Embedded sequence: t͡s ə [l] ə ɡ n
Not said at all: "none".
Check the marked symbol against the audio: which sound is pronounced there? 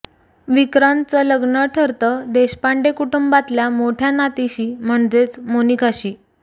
l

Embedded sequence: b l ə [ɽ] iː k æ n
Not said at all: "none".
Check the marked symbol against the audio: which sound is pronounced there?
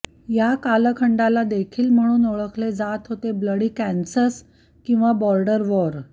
ɽ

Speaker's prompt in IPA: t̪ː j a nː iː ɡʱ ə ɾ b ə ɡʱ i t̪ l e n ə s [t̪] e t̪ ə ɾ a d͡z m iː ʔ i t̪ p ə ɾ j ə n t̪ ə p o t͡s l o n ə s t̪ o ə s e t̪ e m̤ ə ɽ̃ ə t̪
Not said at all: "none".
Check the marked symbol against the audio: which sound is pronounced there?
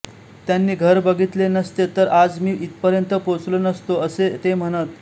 t̪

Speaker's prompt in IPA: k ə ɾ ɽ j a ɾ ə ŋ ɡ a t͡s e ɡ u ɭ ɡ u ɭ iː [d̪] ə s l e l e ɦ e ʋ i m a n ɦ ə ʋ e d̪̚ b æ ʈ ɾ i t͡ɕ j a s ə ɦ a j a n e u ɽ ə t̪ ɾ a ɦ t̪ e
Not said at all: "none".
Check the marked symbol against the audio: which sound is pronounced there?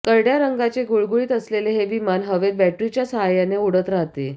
t̪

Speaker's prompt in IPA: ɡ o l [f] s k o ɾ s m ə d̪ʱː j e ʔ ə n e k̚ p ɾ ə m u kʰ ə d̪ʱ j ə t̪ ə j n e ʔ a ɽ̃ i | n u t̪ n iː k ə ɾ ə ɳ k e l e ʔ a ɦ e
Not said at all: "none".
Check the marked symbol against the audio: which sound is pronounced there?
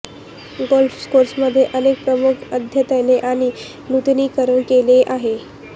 f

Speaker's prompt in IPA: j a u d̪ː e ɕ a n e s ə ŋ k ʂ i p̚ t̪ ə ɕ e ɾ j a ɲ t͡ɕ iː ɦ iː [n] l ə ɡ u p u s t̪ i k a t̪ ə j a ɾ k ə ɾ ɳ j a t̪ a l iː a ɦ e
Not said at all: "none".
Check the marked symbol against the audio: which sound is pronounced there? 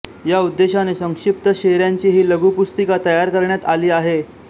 none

